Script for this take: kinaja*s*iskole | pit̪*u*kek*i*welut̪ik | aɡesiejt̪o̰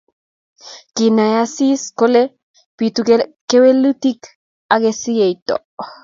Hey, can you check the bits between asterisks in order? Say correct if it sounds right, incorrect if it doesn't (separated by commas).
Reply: correct, correct, incorrect